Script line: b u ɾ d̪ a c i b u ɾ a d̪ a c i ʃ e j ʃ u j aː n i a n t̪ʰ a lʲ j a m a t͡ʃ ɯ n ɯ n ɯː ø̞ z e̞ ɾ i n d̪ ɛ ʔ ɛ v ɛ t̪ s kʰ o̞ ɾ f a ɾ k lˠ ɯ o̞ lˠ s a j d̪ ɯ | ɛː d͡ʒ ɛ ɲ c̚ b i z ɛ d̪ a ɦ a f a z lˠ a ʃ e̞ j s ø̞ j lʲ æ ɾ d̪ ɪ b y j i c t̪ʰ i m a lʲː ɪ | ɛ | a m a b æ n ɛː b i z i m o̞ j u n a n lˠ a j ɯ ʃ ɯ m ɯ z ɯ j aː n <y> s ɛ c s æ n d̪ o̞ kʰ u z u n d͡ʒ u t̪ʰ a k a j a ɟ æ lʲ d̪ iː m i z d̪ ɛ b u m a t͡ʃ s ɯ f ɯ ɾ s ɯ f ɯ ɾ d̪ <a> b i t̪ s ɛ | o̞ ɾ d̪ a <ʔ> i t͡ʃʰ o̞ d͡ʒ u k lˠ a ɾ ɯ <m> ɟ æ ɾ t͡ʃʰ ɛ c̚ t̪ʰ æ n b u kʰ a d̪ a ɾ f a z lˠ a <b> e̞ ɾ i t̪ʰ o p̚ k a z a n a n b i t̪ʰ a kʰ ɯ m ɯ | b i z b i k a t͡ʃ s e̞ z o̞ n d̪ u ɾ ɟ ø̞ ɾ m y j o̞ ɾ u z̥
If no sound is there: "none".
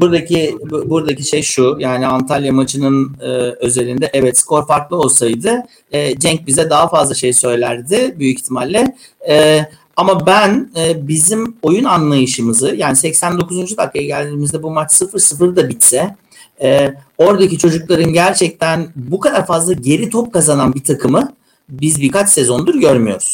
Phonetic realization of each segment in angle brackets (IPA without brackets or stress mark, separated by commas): i, a, c, n, ɟ